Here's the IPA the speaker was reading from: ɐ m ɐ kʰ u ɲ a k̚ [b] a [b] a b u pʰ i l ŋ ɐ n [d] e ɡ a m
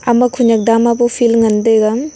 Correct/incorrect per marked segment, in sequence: incorrect, incorrect, correct

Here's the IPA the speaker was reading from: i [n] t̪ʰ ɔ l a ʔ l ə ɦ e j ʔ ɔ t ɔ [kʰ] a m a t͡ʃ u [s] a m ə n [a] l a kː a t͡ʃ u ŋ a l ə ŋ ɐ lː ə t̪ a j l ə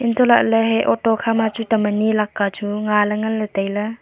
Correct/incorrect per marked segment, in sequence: correct, correct, incorrect, incorrect

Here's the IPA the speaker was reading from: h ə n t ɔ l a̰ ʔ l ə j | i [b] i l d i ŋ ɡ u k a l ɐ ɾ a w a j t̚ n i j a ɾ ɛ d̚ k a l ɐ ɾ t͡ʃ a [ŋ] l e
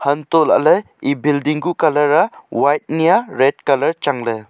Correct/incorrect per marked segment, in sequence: correct, correct

